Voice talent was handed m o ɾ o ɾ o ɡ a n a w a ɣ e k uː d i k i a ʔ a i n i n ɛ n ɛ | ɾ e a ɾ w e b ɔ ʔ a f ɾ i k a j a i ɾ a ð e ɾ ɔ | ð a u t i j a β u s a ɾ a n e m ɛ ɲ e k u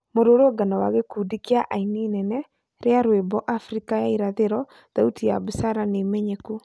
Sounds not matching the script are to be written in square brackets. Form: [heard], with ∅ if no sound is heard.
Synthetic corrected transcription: m o ɾ o ɾ o ɡ a n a w a ɣ e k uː d i k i a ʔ a i n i n ɛ n ɛ | ɾ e a ɾ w e b ɔ ʔ a f ɾ i k a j a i ɾ a ð e ɾ ɔ | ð a u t i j a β u s a ɾ a n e m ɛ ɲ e k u